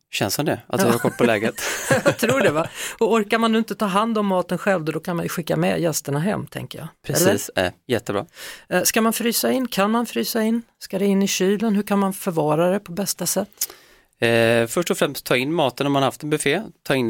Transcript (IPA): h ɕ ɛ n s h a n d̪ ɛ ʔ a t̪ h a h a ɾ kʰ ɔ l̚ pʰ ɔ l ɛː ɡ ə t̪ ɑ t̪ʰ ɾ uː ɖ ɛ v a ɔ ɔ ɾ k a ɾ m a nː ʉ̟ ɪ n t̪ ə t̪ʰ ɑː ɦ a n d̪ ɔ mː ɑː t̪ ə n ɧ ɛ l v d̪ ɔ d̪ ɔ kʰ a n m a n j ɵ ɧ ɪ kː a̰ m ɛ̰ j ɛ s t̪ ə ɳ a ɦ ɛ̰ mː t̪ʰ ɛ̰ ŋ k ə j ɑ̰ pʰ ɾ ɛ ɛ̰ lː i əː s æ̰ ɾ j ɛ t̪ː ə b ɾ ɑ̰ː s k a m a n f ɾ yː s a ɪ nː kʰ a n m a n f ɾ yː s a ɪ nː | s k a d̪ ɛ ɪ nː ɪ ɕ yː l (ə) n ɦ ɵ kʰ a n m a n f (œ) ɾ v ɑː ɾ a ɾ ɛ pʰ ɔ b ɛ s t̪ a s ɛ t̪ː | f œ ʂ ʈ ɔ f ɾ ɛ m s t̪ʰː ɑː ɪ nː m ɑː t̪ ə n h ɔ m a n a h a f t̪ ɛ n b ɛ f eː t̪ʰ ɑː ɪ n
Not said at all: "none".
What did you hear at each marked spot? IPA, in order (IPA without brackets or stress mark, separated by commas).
ə, œ